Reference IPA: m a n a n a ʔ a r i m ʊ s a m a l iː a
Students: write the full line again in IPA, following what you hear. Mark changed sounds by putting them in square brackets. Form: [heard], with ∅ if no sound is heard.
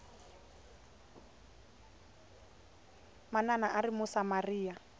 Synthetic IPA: m a n a n a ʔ a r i m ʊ s a m a [r] iː a

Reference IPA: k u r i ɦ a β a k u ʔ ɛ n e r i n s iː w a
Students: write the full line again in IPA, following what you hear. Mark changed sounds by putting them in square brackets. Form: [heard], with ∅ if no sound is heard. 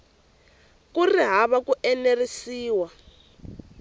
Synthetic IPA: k u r i ɦ a β a k u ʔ ɛ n e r i [∅] s iː w a

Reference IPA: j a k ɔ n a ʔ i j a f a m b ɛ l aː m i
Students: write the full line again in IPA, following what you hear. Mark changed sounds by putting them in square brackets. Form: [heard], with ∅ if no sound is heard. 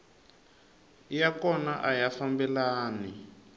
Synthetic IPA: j a k ɔ n a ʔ [a] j a f a m b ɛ l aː [n] i

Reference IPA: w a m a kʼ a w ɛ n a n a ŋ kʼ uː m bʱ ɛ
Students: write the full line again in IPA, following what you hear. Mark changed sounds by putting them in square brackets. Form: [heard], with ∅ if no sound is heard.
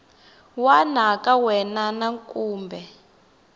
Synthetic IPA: w a [n] a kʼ a w ɛ n a n a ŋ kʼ uː m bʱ ɛ

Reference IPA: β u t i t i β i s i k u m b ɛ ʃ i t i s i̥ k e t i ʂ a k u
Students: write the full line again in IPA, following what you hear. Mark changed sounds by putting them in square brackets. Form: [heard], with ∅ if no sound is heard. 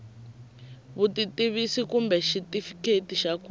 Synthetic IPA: β u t i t i β i s i k u m b ɛ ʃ i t i [f] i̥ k e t i [ʃ] a k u

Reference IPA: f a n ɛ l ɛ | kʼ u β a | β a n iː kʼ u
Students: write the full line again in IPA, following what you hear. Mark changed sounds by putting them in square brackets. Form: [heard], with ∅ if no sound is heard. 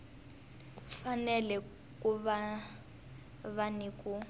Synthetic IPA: f a n ɛ l ɛ | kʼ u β a | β a n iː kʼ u

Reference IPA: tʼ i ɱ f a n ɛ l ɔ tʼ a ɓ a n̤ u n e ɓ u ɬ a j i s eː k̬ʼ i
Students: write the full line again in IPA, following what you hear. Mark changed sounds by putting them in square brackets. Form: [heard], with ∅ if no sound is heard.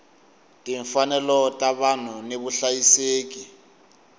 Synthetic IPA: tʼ i ɱ f a n ɛ l ɔ tʼ a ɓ a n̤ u n e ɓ u ɬ a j i s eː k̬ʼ i

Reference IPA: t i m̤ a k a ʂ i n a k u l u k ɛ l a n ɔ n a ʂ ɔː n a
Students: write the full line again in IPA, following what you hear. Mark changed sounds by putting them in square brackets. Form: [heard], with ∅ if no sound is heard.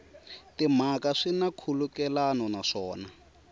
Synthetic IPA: t i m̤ a k a ʂ i n a [kʰ] u l u k ɛ l a n ɔ n a ʂ ɔː n a

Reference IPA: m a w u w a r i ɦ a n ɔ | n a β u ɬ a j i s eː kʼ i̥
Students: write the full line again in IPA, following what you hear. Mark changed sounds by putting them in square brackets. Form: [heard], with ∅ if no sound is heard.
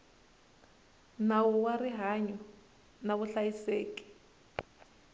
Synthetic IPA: [n] a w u w a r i ɦ a [ɲ] ɔ | n a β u ɬ a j i s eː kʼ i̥

